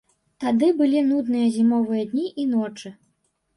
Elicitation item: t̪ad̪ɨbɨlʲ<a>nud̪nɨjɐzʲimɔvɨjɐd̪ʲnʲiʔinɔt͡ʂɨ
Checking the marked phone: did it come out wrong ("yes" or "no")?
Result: yes